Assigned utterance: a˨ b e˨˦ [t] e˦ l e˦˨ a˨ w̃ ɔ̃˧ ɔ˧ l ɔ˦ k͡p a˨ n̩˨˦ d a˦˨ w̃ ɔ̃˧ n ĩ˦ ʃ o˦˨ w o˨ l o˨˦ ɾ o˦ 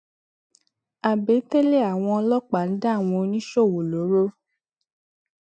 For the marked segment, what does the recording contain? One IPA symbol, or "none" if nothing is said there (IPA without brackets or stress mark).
t